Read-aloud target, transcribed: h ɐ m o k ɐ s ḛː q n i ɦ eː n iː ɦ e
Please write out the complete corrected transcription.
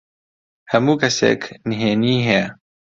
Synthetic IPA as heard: h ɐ m u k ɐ s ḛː k n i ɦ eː n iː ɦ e

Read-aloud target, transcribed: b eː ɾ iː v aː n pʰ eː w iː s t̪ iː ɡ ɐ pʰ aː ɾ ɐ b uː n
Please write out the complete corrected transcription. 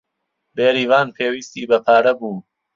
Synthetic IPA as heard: b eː ɾ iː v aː n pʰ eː w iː s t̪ iː b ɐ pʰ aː ɾ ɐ b uː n

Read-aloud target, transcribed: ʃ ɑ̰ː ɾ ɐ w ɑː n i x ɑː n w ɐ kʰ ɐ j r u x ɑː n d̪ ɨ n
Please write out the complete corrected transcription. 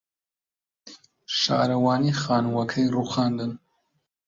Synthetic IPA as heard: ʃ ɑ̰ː ɾ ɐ w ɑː n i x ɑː n w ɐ kʰ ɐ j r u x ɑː n d̪ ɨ n

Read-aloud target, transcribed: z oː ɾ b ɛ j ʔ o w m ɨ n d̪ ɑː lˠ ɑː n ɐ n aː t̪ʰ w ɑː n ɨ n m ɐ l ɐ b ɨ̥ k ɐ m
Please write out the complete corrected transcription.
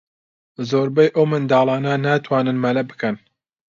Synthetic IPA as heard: z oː ɾ b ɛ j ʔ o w m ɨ n d̪ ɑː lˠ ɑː n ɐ n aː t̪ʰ w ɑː n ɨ n m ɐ l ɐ b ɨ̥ k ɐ n

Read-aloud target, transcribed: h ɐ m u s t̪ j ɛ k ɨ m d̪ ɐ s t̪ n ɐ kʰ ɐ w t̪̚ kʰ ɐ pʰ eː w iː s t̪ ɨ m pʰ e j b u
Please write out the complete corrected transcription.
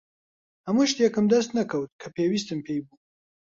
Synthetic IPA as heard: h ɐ m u ʃ t̪ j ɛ k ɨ m d̪ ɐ s t̪ n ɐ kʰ ɐ w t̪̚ kʰ ɐ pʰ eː w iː s t̪ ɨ m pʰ e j b u

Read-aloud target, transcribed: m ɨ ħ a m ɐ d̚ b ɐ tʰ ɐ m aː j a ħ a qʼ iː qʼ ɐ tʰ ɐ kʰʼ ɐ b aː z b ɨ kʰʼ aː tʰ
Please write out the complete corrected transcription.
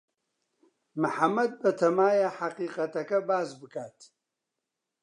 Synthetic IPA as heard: m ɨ ħ a m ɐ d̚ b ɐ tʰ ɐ m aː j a ħ a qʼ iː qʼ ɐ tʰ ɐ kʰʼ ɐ b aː z b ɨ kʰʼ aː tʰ

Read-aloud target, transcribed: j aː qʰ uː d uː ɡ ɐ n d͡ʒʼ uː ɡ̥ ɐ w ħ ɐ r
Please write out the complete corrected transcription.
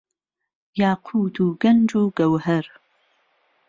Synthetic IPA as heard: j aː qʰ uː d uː ɡ ɐ n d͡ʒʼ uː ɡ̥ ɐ w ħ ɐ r

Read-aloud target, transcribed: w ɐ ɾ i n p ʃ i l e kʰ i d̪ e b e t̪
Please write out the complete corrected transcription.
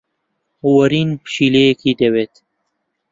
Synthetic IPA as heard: w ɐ ɾ i n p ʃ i l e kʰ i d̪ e w e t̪

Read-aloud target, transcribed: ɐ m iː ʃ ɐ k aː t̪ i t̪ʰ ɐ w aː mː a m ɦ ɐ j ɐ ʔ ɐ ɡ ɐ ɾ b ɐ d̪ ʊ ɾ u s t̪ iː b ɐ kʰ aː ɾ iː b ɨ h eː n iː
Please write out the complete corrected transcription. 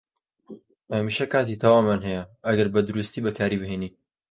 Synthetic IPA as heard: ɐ m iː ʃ ɐ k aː t̪ i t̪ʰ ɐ w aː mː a n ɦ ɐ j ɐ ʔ ɐ ɡ ɐ ɾ b ɐ d̪ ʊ ɾ u s t̪ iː b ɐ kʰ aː ɾ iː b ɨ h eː n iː

